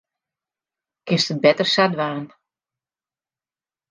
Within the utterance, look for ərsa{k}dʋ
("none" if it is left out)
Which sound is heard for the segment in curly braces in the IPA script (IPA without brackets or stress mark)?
none